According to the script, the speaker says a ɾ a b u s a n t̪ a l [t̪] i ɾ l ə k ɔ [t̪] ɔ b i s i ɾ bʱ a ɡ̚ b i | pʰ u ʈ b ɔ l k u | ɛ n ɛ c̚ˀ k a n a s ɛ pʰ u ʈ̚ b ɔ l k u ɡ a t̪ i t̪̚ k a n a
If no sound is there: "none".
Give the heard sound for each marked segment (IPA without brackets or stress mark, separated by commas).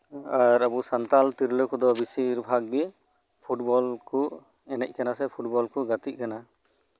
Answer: t̪, d̪